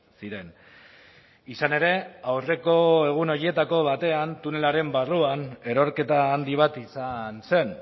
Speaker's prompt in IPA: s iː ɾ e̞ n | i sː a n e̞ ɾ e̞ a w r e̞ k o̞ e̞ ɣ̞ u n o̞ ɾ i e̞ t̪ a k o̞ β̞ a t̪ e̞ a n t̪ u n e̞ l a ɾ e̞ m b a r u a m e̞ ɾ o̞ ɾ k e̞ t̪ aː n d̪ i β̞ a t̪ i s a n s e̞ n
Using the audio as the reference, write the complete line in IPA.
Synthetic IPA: s i ɾ e̞ n | i s a n e̞ ɾ e̞ a w r e̞ k o̞ e̞ ɣ̞ u n o̞ ɾ i e̞ t̪ a k o̞ β̞ a t̪ e̞ a n t̪ u n e̞ l a ɾ e̞ m b a r u a n e̞ ɾ o̞ ɾ k e̞ t̪ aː n d̪ i β̞ a t̪ i s a n s e̞ n